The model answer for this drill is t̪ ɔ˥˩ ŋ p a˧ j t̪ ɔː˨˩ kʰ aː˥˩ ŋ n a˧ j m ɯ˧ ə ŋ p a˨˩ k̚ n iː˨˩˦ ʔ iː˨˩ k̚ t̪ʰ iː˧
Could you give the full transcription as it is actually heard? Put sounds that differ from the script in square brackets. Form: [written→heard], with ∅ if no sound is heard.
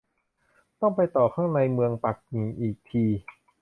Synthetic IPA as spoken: t̪ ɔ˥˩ ŋ p a˧ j t̪ ɔː˨˩ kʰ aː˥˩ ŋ n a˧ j m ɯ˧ ə ŋ p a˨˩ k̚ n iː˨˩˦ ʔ iː˨˩ k̚ t̪ʰ iː˧